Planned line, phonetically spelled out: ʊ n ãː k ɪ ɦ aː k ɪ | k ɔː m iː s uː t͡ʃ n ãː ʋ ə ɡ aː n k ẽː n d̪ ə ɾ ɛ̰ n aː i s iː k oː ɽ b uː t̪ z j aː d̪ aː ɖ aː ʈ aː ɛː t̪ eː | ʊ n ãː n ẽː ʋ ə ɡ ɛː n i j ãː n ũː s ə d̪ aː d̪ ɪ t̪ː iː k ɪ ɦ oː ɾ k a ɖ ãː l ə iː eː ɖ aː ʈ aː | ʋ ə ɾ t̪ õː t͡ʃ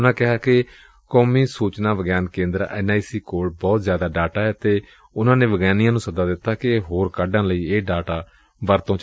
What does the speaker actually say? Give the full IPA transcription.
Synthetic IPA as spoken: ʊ n ãː k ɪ ɦ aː k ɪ | k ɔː m iː s uː t͡ʃ n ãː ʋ ə ɡ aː n k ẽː n d̪ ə ɾ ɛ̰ n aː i s iː k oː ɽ b ɔː t̪ z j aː d̪ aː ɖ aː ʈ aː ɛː t̪ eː | ʊ n ãː n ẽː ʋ ə ɡ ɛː n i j ãː n ũː s ə d̪ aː d̪ ɪ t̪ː aː k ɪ ɦ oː ɾ k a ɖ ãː l ə iː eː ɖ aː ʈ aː | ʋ ə ɾ t̪ õː t͡ʃ